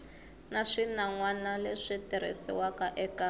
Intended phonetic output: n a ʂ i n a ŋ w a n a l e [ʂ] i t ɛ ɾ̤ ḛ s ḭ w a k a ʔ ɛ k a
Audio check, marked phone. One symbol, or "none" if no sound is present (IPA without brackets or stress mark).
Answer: ʂ